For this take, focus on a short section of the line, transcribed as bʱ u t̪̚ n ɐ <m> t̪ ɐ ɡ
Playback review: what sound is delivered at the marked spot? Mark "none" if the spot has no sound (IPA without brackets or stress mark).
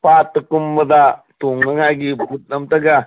m